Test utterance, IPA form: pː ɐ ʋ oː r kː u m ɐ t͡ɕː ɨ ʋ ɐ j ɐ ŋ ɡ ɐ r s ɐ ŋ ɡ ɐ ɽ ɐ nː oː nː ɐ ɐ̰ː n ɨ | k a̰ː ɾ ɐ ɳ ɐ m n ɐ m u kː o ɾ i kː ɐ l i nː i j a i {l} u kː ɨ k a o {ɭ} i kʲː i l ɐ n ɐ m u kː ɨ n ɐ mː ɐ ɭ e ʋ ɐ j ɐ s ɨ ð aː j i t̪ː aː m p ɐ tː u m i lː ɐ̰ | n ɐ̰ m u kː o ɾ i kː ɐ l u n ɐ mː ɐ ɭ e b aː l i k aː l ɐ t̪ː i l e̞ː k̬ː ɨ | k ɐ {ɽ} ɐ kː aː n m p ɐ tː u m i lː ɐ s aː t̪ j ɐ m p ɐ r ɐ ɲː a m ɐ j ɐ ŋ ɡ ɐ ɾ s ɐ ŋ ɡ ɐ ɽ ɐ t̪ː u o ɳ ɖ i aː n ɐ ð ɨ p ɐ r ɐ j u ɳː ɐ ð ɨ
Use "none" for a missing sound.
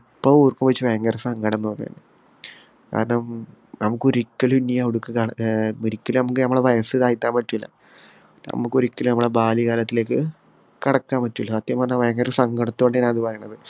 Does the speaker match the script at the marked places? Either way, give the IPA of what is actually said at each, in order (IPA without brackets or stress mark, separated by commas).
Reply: ɽ, ɾ, ɽ